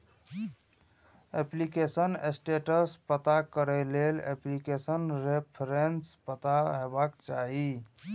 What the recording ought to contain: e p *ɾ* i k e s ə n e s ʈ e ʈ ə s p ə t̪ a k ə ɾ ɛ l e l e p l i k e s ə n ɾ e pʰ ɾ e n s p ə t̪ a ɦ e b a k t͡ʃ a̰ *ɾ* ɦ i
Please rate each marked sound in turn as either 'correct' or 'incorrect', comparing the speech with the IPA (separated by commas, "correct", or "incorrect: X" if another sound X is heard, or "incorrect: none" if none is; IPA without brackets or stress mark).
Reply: incorrect: l, incorrect: none